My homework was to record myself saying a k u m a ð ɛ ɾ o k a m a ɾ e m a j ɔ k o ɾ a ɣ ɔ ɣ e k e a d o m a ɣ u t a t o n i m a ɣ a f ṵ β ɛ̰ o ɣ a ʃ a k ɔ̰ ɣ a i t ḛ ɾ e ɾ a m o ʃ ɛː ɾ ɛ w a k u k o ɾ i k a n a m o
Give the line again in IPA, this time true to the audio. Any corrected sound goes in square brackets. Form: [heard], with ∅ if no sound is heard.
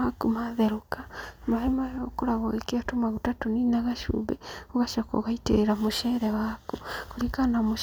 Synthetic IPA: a k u m a ð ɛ ɾ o k a m a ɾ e m a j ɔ k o ɾ a ɣ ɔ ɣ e k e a [t] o m a ɣ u t a t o n i [n] a ɣ a [ʃ] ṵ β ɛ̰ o ɣ a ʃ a k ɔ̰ ɣ a i t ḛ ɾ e ɾ a m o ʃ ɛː ɾ ɛ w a k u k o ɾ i k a n a m o